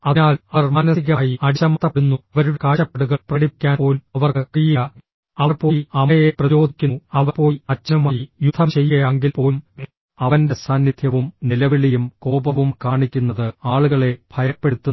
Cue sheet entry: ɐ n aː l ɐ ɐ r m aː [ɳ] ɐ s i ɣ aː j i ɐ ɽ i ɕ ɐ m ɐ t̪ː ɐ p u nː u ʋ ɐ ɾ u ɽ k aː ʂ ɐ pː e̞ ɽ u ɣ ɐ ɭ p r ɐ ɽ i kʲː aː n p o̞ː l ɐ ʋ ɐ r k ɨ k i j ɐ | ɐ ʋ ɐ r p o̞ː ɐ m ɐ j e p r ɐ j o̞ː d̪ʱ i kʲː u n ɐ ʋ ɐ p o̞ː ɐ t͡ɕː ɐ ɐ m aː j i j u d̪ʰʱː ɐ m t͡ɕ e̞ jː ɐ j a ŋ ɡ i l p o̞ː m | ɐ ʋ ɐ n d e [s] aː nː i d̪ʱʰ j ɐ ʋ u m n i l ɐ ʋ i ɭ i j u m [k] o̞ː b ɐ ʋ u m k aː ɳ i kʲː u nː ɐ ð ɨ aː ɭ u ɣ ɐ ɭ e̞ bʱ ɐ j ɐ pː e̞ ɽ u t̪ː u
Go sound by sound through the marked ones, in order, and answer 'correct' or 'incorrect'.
incorrect: n, correct, correct

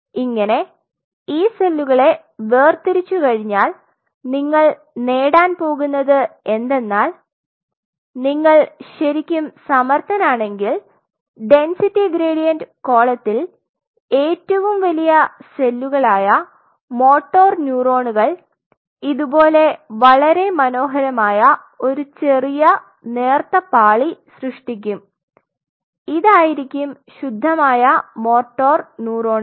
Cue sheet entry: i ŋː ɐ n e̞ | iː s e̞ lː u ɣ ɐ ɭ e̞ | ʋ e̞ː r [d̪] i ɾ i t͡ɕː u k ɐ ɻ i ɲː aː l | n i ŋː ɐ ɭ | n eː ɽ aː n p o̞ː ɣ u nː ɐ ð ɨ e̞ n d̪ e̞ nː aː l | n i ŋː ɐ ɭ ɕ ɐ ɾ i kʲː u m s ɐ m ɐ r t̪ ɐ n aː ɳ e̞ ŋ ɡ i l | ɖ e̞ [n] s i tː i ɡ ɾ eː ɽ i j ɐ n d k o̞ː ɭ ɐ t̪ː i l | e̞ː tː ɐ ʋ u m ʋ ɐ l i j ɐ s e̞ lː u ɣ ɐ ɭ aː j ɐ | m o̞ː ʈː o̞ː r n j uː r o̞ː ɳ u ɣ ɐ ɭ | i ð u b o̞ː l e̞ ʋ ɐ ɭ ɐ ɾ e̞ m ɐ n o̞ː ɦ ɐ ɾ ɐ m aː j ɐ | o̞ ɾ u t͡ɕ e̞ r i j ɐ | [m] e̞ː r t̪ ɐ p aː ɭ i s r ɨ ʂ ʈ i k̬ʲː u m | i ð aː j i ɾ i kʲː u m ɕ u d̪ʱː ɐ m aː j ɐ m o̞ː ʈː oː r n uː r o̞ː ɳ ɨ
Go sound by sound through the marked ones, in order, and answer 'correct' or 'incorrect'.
incorrect: t̪, correct, incorrect: n

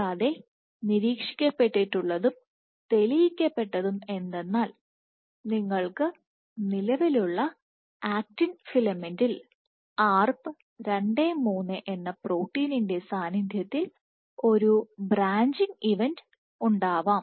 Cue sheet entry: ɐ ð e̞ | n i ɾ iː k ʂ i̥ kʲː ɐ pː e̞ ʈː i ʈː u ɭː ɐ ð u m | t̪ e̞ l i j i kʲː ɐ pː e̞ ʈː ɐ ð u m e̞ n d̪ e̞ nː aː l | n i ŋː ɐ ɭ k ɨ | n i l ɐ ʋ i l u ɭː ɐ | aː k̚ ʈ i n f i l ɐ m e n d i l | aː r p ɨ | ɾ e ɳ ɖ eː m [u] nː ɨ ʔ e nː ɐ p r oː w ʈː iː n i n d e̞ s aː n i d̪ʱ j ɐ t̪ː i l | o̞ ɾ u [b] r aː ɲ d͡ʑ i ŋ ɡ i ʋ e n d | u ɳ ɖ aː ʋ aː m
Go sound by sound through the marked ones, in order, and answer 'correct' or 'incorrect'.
incorrect: uː, correct

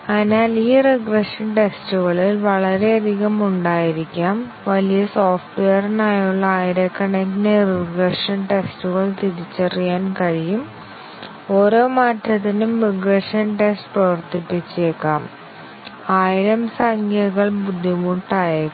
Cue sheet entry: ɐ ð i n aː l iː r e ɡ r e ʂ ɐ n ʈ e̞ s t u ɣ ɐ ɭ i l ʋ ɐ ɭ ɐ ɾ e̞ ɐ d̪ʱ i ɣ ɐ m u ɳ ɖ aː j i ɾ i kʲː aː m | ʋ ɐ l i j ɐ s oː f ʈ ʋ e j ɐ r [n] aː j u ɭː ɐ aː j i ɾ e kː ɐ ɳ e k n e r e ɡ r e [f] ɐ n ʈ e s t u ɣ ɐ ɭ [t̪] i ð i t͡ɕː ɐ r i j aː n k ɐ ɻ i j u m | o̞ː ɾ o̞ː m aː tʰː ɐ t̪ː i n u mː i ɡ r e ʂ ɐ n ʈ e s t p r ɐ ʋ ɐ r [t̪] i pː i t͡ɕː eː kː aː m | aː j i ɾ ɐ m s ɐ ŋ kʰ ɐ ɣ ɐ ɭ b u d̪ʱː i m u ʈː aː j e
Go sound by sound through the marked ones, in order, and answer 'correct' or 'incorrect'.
correct, incorrect: ʂ, correct, correct

